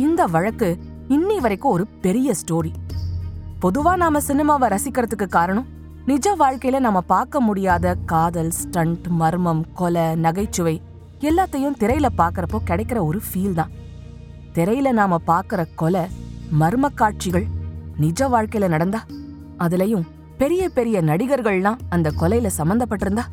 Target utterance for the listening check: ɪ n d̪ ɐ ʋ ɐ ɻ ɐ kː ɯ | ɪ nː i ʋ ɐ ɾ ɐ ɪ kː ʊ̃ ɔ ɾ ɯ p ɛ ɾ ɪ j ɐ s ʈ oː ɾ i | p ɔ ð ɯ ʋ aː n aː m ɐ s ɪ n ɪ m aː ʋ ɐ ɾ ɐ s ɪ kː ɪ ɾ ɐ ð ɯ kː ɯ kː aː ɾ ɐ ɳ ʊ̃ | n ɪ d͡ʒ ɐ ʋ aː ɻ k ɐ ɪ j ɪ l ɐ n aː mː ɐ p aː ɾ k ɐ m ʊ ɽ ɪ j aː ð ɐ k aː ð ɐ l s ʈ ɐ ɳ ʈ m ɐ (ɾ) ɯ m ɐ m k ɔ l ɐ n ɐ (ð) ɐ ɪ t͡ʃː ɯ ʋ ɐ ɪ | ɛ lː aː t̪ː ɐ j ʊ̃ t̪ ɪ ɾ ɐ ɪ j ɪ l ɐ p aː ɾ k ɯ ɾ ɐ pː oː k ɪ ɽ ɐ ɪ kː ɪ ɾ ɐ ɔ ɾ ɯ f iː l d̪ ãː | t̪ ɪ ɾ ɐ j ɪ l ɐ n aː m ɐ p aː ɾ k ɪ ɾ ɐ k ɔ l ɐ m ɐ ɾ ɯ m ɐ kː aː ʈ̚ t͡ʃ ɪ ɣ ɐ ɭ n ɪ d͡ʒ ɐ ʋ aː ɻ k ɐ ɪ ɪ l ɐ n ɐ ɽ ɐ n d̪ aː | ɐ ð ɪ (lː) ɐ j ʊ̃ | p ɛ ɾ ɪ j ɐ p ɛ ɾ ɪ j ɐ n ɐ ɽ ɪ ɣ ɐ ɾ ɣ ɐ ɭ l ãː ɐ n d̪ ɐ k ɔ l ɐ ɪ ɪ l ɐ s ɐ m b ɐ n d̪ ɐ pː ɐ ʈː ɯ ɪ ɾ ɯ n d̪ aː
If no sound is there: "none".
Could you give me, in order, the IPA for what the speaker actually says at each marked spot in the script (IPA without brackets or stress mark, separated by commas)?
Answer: ɾ, ɣ, l